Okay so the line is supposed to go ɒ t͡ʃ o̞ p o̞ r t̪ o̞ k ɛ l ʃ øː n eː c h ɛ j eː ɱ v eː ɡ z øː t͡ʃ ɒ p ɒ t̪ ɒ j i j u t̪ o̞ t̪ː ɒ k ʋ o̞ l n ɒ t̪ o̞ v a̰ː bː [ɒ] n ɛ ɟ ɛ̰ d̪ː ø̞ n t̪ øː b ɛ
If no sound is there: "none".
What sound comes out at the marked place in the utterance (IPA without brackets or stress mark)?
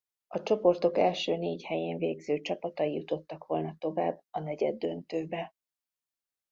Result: ɒ